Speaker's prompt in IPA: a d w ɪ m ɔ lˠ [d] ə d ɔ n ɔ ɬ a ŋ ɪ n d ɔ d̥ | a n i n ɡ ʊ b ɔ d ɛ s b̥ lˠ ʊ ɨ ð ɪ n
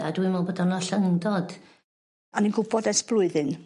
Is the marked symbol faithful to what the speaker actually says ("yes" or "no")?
no